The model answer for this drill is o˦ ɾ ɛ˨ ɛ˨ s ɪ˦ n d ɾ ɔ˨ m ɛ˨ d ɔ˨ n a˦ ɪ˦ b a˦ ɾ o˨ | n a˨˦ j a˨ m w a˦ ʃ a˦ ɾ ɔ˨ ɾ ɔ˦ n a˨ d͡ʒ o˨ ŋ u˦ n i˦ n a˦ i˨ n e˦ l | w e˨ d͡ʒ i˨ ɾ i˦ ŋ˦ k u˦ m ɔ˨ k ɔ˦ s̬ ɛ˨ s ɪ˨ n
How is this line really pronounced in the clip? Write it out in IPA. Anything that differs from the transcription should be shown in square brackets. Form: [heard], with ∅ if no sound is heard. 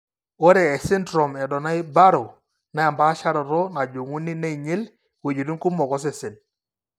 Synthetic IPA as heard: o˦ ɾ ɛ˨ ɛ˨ s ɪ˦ n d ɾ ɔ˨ m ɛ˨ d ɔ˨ n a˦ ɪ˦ b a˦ ɾ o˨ | n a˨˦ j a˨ m [b] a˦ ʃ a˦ ɾ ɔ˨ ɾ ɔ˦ n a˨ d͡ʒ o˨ ŋ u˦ n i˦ n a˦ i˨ [ɲ] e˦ l | w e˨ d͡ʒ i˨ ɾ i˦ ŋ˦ k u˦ m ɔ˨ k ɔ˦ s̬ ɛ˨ s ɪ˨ n

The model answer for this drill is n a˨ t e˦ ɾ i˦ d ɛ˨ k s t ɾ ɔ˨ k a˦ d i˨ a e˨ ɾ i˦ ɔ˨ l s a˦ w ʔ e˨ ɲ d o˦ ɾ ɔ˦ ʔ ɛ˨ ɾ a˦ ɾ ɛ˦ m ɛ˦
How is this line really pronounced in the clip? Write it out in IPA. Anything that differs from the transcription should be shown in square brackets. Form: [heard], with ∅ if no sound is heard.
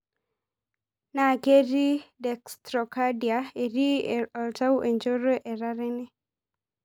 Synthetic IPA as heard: n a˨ [k] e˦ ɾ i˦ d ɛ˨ k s t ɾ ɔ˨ k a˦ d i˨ a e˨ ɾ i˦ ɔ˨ l [t] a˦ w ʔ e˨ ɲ [d͡ʒ] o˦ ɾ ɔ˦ ʔ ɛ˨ ɾ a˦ ɾ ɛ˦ [n] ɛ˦

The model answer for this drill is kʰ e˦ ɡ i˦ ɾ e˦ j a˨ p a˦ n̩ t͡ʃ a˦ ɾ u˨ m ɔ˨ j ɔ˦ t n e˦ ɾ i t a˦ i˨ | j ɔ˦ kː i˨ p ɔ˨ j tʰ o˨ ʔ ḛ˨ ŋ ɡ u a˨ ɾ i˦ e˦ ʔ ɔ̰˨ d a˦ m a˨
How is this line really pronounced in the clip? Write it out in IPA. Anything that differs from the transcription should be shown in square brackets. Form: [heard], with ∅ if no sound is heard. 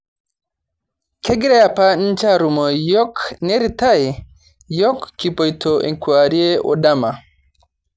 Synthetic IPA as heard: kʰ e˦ ɡ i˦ ɾ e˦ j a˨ p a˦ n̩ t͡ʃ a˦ ɾ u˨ m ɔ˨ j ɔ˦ [k] n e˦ ɾ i t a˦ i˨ | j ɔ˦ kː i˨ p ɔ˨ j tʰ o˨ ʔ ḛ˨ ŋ [k] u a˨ ɾ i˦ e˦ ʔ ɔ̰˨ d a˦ m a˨

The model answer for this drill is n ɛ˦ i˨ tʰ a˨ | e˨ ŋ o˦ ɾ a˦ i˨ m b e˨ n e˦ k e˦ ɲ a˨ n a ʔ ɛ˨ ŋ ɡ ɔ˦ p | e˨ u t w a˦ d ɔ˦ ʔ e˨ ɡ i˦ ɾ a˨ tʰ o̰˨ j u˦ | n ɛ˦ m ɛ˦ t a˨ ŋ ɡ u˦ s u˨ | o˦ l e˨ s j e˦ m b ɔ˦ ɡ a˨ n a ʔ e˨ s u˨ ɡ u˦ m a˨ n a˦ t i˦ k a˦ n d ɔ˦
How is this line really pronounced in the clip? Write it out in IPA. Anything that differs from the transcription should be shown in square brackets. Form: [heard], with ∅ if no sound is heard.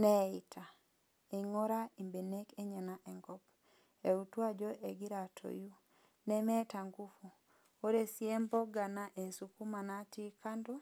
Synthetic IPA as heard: n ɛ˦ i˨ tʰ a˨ | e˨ ŋ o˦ ɾ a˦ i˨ m b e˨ n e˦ k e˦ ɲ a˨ n a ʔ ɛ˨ ŋ ɡ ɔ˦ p | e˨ u t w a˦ [d͡ʒ] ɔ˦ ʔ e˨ ɡ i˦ ɾ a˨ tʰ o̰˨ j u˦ | n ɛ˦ m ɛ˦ t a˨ ŋ ɡ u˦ [f] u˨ | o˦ [ɾ] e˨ s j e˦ m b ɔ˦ ɡ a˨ n a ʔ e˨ s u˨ [k] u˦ m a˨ n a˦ t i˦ k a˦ n d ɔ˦

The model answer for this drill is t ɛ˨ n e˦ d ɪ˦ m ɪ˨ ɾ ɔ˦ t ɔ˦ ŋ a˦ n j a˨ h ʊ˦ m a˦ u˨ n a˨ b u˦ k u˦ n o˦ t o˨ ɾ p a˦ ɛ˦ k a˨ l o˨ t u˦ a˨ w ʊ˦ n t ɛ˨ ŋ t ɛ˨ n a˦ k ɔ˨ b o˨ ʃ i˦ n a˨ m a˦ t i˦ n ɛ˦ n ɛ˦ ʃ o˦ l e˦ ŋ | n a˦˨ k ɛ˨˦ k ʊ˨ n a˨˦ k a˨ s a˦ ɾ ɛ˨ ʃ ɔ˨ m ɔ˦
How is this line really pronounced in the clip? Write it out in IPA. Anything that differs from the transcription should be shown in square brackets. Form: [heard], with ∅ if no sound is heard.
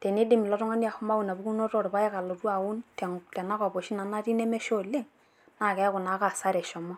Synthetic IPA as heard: t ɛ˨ n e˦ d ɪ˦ m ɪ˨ [l] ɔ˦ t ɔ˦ ŋ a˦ n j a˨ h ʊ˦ m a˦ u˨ n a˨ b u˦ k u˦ n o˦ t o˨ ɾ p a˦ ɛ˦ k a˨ l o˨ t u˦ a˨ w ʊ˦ n t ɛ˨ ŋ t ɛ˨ n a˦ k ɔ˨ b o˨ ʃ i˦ n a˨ [n] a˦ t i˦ n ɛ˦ [m] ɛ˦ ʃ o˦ l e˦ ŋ | n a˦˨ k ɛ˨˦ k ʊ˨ n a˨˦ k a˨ s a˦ ɾ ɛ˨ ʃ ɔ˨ m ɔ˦

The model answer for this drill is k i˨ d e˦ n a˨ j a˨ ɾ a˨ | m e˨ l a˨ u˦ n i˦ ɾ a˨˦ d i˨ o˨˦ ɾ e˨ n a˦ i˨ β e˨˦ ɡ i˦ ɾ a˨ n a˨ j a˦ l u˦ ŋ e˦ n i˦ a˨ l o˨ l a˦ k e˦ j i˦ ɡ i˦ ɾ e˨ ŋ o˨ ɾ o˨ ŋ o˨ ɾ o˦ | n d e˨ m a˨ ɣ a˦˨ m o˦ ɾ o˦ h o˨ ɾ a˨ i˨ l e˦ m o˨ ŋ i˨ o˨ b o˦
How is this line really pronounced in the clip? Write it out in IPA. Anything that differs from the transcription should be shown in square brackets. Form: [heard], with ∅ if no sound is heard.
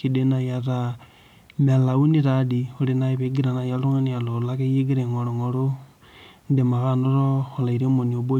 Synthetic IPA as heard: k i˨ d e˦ n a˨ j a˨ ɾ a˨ | m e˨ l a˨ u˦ n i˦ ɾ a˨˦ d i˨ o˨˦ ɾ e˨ n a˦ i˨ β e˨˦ ɡ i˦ ɾ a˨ n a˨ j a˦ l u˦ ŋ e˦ n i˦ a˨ l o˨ l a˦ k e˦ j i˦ ɡ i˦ ɾ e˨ ŋ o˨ ɾ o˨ ŋ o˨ ɾ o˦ | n d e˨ m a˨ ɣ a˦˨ [n] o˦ ɾ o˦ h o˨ [l] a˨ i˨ [ɾ] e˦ m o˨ [n] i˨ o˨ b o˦

